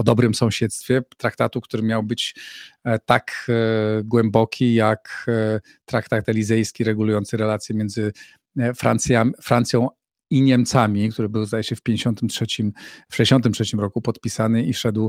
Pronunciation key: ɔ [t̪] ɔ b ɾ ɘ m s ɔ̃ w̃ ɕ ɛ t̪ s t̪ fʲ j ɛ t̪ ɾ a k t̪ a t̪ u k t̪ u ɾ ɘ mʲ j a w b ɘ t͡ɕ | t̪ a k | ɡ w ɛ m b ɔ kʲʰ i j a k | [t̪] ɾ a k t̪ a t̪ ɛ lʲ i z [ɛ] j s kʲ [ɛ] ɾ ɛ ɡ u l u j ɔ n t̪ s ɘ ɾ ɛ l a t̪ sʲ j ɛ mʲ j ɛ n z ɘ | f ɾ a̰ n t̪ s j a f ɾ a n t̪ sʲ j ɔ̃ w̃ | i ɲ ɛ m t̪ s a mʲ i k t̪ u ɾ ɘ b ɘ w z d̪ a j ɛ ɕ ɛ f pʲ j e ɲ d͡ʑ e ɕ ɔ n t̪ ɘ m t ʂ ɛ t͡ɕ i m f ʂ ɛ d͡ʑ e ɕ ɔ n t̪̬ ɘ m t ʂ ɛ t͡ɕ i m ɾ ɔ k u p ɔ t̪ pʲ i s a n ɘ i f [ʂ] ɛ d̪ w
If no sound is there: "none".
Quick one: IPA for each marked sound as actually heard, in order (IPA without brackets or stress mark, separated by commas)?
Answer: d̪, t̪, ɛ, i, ʂ